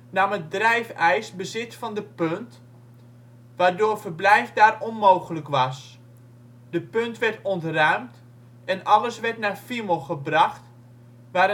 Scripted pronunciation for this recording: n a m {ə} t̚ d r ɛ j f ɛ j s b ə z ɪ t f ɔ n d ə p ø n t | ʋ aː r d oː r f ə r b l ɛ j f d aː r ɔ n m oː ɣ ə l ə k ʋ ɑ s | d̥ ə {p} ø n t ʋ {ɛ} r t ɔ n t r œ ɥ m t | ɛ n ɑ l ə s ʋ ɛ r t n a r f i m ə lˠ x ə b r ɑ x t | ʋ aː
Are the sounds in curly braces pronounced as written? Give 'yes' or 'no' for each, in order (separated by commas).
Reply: yes, yes, yes